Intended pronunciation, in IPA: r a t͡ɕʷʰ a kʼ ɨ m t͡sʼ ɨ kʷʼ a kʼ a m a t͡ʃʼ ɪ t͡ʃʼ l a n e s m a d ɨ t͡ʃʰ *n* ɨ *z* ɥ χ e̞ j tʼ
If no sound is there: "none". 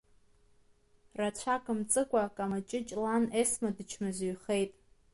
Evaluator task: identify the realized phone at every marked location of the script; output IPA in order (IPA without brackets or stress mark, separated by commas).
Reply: m, z